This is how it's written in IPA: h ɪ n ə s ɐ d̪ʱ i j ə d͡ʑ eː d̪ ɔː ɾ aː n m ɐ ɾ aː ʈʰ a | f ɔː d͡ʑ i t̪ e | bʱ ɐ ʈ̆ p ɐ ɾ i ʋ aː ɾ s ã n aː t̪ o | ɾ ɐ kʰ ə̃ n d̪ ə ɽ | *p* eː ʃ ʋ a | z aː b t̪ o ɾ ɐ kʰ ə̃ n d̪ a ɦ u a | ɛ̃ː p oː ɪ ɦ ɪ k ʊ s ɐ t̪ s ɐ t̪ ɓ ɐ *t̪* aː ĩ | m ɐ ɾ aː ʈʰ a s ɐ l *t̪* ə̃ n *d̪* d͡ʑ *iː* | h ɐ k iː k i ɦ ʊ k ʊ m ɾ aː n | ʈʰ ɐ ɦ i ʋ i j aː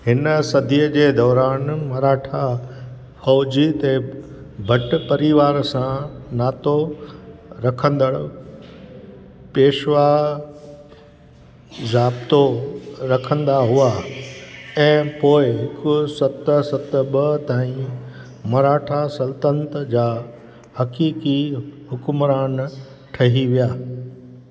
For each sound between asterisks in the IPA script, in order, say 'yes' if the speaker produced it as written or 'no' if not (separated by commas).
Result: yes, yes, yes, no, no